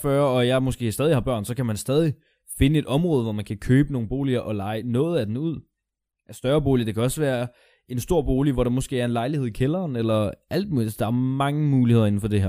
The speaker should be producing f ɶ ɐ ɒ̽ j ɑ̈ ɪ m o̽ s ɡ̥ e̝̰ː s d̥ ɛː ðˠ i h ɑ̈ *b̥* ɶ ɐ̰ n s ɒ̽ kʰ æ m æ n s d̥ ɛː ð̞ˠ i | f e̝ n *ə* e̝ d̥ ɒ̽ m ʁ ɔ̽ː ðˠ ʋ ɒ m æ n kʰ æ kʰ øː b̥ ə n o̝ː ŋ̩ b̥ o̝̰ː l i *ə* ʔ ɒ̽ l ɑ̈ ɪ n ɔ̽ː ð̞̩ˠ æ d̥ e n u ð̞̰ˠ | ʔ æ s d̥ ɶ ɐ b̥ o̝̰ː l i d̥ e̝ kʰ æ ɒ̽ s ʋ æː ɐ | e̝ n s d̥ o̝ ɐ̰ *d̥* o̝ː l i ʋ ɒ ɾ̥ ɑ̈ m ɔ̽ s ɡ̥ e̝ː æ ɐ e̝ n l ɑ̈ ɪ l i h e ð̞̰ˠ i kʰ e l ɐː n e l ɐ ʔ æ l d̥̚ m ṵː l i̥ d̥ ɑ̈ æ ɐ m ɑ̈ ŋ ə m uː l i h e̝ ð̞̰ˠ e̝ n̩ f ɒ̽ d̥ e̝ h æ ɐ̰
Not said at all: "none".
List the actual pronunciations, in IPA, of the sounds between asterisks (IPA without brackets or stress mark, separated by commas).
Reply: b̥, ə, ɐ, b̥